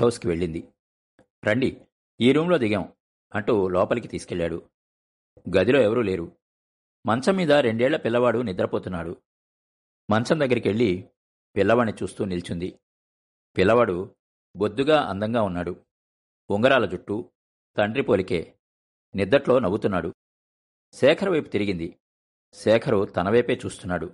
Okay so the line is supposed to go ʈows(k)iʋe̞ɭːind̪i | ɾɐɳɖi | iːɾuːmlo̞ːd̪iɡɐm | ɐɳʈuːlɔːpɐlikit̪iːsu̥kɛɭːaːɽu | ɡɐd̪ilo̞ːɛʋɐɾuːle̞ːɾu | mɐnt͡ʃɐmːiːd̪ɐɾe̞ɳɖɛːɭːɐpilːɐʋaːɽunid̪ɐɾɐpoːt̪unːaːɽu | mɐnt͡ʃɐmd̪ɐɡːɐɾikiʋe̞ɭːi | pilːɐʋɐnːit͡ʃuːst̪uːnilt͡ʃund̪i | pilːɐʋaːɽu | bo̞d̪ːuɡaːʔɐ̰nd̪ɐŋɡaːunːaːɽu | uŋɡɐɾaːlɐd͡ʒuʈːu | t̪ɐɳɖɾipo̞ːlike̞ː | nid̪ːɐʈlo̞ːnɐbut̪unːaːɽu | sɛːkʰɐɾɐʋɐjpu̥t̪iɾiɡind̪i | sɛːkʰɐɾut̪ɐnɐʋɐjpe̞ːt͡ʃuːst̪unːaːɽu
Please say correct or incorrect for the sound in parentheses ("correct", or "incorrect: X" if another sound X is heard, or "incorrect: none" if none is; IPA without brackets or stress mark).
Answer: correct